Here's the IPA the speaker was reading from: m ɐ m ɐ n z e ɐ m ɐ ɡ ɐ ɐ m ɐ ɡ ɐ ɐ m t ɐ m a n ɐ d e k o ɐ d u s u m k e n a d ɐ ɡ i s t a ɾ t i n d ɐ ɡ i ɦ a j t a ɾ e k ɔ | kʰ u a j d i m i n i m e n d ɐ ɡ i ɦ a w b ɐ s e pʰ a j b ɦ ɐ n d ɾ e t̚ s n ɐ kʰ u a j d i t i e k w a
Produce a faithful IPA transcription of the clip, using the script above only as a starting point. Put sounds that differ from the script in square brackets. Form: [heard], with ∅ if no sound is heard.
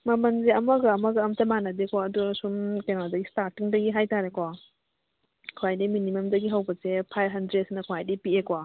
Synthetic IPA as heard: m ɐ m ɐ n z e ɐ m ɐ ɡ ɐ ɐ m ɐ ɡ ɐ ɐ m t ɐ m a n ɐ d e k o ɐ d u s u m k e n a d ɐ ɡ i s t a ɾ t i [ŋ] d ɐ ɡ i ɦ a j t a ɾ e k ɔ | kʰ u a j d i m i n i m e [m] d ɐ ɡ i ɦ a w b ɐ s e pʰ a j b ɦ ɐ n d ɾ e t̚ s n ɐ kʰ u a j d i [p] i e k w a